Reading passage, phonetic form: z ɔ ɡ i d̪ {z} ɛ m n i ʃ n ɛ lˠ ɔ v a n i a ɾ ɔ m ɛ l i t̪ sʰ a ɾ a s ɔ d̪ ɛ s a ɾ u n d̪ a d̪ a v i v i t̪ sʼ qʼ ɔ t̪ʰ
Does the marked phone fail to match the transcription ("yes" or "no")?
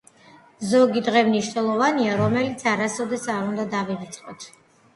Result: yes